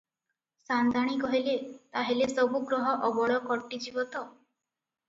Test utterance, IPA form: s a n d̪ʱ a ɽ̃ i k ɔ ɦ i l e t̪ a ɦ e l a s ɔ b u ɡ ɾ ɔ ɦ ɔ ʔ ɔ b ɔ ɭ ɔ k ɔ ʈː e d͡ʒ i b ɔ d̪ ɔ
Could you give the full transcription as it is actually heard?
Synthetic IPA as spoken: s a n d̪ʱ a ɽ̃ i k ɔ ɦ i l e t̪ a ɦ e l e s ɔ b u ɡ ɾ ɔ ɦ ɔ ʔ ɔ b ɔ ɭ ɔ k ɔ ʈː i d͡ʒ i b ɔ t̪ ɔ